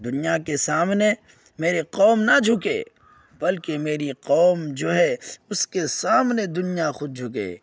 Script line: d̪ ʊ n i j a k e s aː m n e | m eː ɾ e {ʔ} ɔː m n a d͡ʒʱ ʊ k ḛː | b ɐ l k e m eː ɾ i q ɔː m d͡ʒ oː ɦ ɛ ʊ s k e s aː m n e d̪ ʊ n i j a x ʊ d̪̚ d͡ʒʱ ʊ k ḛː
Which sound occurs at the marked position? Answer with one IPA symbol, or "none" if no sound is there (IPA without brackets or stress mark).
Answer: q